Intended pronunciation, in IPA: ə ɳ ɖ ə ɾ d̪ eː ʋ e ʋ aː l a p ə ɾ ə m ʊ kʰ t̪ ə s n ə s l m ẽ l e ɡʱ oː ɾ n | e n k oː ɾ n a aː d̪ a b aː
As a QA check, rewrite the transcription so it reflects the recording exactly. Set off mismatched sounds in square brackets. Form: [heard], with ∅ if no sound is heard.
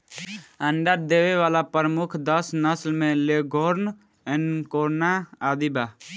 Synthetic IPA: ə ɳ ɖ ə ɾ d̪ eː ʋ e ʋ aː l a p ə ɾ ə m ʊ kʰ [d̪] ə s n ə s l m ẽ l e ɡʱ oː ɾ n | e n k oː ɾ n a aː d̪ [i] b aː